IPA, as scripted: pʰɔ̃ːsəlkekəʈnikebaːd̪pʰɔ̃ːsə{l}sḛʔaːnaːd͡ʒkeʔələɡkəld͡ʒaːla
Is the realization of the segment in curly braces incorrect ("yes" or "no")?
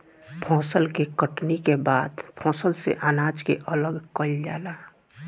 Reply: no